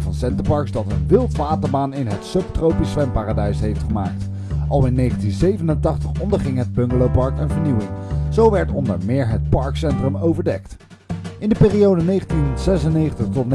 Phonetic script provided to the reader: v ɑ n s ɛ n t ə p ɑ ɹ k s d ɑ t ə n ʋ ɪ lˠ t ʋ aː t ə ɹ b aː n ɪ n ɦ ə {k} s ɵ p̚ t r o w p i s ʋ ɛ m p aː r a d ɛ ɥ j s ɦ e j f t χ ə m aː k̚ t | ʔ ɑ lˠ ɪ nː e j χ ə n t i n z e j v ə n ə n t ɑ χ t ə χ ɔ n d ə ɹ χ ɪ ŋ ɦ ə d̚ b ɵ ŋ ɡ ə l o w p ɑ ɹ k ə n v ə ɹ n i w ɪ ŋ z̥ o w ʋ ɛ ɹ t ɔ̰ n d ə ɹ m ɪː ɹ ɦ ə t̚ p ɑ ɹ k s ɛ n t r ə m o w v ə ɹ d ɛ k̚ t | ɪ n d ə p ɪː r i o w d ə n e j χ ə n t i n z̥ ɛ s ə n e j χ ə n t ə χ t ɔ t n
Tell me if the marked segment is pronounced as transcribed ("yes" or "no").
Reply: no